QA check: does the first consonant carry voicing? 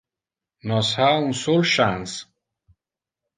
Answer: yes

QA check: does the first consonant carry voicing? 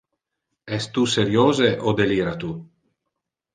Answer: no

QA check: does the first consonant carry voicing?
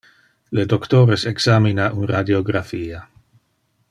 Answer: yes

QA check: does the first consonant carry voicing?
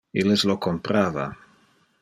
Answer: yes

